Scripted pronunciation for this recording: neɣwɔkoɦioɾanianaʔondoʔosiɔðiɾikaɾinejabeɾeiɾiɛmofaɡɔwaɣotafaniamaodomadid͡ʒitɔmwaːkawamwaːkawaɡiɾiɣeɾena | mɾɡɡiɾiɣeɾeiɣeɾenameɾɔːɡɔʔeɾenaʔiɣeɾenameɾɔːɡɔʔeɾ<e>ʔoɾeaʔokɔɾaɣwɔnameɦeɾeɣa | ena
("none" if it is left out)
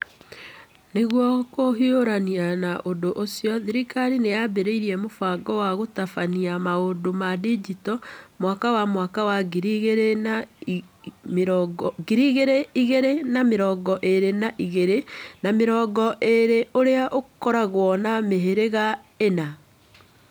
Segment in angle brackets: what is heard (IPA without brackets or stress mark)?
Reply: e